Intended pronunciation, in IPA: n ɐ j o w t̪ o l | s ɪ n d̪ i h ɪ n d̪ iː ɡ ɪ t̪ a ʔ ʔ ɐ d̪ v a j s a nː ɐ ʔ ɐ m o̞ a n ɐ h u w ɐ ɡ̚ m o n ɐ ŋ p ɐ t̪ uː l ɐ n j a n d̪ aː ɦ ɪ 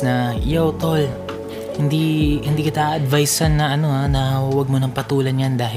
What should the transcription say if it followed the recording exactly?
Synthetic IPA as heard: n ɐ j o w t̪ o l | h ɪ n d̪ i h ɪ n d̪ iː k ɪ t̪ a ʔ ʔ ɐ d̪ v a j s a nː ɐ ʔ ɐ n o̞ a n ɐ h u w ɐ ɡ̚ m o n ɐ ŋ p ɐ t̪ uː l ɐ n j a n d̪ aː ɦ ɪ